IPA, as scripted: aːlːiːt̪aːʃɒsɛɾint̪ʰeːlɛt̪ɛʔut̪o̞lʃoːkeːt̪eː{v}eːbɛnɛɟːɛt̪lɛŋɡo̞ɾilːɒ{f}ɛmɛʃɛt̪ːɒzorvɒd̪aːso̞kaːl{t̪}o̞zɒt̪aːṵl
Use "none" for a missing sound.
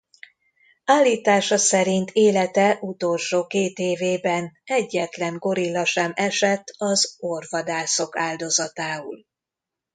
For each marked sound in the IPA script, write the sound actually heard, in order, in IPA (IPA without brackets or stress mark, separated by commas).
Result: v, ʃ, d̪